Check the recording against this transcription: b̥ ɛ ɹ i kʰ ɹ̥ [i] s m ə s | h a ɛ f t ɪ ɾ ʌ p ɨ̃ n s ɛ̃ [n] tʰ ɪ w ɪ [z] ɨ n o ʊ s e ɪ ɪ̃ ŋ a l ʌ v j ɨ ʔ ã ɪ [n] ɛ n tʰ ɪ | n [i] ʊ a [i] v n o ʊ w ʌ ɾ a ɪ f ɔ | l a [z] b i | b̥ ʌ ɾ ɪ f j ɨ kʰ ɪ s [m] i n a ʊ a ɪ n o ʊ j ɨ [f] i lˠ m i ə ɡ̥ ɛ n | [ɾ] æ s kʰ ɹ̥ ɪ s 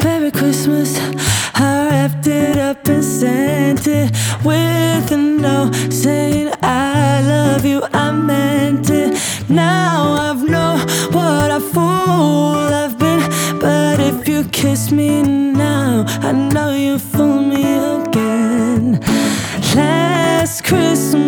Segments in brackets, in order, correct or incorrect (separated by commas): incorrect, correct, incorrect, incorrect, incorrect, incorrect, incorrect, correct, correct, incorrect